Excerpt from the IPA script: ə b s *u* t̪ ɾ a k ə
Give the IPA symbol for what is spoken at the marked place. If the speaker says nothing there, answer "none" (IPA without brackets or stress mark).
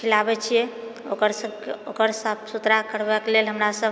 u